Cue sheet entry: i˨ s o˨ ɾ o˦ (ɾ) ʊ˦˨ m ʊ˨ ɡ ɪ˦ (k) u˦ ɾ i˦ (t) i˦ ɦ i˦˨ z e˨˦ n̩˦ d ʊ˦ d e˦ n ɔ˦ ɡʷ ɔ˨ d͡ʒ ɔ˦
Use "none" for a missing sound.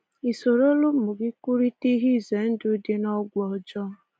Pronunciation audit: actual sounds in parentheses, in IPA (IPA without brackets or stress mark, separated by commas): l, k, t